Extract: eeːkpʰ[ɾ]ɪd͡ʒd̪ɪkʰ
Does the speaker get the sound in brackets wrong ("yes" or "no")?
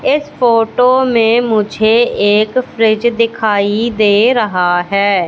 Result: no